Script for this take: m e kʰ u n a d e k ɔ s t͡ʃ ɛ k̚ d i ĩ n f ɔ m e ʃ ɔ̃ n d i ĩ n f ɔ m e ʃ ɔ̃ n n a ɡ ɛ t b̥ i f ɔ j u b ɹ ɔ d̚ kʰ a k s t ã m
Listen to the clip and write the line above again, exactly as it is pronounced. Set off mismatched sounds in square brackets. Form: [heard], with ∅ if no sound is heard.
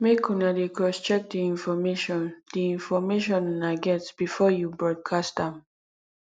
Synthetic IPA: m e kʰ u n a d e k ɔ s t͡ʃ ɛ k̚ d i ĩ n f ɔ m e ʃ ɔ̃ n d i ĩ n f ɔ m e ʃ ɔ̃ n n a ɡ ɛ t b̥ i f ɔ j u b ɹ ɔ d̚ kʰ a [∅] s t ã m